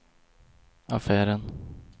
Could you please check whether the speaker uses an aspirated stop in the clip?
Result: no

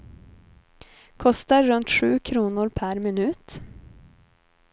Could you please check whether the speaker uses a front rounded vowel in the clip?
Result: no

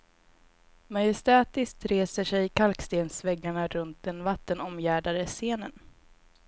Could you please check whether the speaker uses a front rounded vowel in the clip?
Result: no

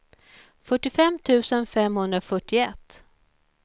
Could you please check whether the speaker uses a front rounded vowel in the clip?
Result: yes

